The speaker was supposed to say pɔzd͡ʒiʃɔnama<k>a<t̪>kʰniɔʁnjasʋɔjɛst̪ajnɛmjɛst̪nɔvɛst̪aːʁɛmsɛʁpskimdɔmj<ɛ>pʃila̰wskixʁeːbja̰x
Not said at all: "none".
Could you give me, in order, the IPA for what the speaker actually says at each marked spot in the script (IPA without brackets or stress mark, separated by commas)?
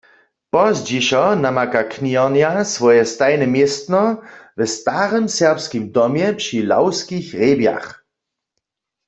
k, none, ɛ